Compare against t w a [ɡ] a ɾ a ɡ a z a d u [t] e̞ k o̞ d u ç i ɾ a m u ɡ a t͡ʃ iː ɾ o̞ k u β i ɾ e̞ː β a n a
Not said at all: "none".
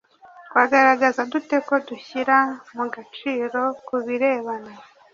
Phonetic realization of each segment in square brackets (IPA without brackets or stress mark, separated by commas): ɡ, t